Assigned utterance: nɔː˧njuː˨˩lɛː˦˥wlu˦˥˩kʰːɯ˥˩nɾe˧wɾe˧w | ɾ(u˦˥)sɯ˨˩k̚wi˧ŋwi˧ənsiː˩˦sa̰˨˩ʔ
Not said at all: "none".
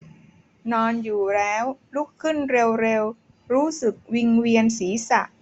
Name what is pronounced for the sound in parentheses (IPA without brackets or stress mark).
uː˦˥